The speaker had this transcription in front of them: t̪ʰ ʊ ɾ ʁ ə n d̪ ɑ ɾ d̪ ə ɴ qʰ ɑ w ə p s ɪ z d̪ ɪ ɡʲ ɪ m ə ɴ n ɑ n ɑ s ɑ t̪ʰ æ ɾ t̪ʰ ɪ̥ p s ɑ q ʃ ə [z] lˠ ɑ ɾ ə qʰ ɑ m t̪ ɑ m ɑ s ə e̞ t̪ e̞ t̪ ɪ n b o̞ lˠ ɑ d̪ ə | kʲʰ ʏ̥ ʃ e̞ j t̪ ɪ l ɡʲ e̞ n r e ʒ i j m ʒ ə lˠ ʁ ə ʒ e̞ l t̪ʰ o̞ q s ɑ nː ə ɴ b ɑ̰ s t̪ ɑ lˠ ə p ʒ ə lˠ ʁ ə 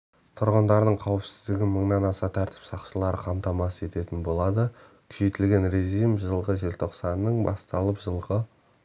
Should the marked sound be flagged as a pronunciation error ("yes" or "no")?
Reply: yes